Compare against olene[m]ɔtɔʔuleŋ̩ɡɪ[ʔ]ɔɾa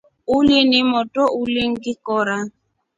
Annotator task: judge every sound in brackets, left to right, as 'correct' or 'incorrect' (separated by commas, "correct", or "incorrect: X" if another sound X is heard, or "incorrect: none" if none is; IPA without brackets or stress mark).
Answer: correct, incorrect: k